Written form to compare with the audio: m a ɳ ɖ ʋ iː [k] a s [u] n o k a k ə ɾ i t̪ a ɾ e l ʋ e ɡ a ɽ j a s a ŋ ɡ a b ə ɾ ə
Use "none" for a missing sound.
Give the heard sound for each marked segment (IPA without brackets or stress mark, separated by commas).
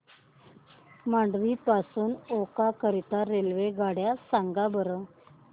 p, uː